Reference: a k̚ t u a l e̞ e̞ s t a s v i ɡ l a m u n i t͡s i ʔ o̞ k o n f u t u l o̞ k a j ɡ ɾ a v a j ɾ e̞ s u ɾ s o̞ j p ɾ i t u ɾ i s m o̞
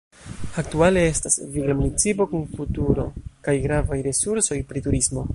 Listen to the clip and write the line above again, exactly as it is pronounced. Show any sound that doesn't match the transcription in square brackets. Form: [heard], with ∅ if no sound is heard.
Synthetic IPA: a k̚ t u a l e̞ e̞ s t a s v i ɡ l a m u n i t͡s i [p] o̞ k [u] n f u t u [ɾ] o̞ k a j ɡ ɾ a v a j ɾ e̞ s u ɾ s o̞ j p ɾ i t u ɾ i s m o̞

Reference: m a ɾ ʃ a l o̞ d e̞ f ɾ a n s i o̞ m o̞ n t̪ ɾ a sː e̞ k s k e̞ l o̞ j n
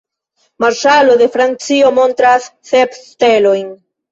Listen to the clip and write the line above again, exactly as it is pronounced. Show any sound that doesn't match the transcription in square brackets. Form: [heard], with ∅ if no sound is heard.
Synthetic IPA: m a ɾ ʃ a l o̞ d e̞ f ɾ a n [t͡s] i o̞ m o̞ n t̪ ɾ a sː e̞ [p] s [t] e̞ l o̞ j n

